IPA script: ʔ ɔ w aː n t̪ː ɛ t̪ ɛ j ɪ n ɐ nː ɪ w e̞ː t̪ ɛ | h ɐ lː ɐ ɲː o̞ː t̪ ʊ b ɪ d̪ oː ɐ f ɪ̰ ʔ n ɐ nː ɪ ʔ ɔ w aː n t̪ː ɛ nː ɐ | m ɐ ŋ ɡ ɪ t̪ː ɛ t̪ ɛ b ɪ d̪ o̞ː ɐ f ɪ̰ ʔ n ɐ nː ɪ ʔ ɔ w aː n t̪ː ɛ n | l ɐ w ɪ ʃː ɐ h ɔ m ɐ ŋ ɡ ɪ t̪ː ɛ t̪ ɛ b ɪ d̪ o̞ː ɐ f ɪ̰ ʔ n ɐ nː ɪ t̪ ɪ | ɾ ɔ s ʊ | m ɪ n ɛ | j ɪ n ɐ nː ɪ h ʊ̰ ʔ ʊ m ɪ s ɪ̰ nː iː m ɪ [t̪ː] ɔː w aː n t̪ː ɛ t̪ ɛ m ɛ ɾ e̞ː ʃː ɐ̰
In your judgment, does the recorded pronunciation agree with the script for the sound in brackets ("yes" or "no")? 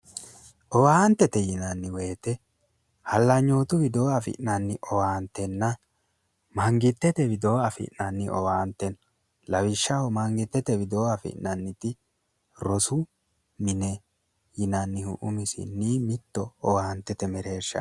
yes